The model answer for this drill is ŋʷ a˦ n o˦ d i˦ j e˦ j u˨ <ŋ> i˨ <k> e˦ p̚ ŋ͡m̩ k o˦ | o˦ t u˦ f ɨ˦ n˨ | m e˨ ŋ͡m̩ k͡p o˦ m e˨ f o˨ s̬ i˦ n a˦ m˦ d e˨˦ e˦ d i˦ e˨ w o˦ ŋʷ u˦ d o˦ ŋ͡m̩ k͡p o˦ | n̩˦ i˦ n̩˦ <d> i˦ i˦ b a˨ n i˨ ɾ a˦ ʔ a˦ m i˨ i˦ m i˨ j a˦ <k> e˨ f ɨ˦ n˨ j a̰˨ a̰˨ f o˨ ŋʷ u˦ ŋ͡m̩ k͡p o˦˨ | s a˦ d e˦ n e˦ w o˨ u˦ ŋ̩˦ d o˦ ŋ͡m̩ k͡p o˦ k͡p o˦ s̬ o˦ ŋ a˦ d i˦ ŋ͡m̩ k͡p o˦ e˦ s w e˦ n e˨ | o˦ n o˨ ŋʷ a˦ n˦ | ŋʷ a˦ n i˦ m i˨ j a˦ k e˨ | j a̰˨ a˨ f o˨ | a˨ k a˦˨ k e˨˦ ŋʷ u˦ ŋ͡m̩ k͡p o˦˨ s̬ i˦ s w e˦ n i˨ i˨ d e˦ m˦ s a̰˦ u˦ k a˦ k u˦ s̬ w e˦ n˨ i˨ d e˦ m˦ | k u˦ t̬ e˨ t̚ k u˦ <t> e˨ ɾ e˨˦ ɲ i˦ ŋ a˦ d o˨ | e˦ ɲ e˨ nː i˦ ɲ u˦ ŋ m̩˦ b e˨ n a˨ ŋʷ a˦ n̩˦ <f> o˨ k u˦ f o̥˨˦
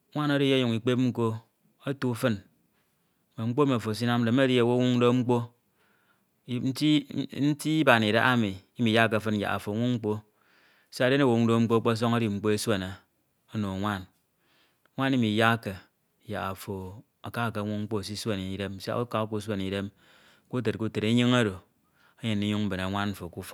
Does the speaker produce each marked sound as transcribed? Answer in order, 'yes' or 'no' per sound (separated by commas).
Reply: yes, no, no, yes, yes, yes